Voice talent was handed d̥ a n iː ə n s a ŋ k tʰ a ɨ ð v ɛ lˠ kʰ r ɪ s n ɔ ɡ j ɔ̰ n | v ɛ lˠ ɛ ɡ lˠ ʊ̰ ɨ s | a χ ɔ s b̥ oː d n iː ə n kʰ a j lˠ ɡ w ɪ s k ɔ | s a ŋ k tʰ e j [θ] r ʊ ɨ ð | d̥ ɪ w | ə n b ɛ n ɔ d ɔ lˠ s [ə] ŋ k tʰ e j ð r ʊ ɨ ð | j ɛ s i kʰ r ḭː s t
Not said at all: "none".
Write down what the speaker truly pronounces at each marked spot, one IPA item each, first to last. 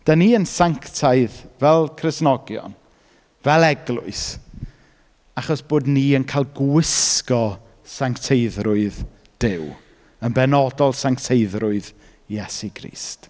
ð, a

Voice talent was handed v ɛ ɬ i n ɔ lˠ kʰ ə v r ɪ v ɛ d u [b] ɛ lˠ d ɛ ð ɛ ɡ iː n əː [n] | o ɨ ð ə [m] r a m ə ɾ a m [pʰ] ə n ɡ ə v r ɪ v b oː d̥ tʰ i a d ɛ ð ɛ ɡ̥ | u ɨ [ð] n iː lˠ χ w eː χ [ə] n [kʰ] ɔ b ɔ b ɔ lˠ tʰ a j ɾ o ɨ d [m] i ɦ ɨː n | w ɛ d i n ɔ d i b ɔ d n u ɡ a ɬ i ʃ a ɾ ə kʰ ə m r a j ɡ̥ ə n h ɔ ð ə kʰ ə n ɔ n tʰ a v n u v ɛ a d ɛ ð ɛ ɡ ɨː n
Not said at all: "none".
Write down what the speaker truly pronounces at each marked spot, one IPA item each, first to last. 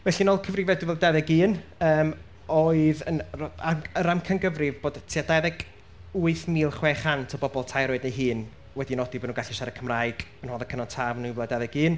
v, m, n, kʰ, θ, a, tʰ, n

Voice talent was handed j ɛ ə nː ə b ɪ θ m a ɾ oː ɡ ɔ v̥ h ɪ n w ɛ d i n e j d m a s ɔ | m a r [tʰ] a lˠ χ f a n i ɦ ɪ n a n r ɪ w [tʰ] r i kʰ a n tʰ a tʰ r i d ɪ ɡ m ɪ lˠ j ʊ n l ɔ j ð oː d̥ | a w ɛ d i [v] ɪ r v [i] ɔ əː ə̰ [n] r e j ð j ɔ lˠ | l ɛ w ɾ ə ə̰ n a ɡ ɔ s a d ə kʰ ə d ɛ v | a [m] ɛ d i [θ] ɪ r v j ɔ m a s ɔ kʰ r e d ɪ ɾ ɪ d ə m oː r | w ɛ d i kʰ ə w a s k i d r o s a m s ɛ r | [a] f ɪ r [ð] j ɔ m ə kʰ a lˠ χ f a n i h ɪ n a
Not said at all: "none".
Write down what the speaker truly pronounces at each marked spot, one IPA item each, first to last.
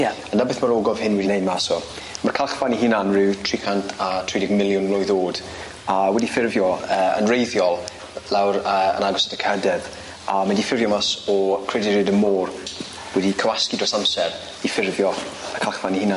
kʰ, tʰ, f, j, n, m, f, i, v

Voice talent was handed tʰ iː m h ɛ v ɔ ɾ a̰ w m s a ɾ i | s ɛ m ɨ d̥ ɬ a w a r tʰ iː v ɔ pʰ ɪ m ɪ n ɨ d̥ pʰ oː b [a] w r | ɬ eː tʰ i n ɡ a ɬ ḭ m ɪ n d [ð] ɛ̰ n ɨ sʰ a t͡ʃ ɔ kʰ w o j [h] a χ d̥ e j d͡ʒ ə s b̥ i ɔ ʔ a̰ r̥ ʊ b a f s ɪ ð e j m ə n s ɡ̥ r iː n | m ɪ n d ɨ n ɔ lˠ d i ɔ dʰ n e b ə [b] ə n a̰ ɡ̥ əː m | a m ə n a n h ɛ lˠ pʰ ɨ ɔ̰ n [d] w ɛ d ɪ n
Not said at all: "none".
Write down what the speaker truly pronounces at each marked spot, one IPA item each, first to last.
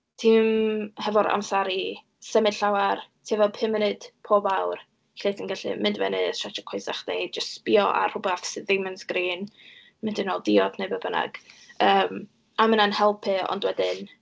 a, v, s, b, d

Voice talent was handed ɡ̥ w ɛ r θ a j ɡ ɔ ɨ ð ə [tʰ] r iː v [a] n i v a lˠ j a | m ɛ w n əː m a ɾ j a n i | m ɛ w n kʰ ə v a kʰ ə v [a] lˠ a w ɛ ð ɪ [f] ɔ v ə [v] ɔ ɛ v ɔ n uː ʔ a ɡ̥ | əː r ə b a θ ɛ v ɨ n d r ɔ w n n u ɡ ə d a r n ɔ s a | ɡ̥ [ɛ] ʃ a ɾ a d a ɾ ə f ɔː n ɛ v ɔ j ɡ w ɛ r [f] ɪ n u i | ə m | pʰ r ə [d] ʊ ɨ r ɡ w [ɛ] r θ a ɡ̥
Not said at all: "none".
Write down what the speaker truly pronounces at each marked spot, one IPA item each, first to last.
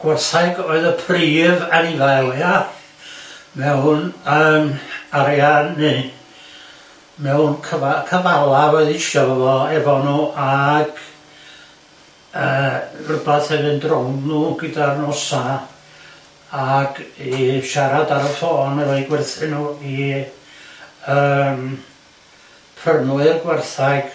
pʰ, a, a, ʃ, v, i, θ, n, ɛ

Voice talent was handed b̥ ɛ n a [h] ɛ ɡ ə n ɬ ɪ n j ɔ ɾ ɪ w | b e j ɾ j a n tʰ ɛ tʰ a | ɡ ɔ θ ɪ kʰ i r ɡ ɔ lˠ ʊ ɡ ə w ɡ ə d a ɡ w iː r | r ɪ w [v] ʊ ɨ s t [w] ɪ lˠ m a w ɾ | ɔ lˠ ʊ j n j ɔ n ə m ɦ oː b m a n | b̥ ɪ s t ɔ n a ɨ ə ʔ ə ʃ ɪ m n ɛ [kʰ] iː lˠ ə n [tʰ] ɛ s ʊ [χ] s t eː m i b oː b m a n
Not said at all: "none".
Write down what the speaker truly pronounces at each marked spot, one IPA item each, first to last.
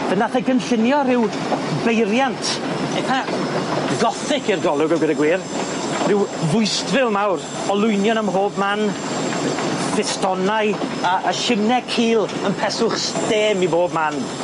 θ, v, v, kʰ, pʰ, χ

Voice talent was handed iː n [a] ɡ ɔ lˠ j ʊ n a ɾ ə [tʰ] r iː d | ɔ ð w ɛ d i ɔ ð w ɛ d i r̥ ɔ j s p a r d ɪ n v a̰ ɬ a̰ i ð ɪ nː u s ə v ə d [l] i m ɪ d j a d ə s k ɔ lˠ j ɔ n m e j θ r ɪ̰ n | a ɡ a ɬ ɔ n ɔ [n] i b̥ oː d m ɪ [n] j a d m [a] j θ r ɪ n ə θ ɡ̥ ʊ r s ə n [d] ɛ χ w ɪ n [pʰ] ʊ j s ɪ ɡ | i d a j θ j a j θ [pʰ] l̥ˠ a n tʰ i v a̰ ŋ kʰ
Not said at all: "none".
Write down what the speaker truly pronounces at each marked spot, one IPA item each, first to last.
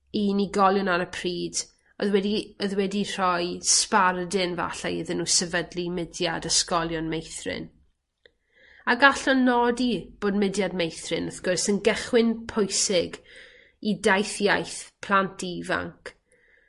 i, pʰ, l, d, d, e, ɡ, pʰ, pʰ

